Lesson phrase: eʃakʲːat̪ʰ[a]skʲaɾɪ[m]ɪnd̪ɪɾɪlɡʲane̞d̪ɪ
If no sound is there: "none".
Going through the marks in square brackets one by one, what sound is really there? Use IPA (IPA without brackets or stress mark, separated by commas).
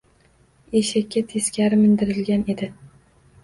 e, m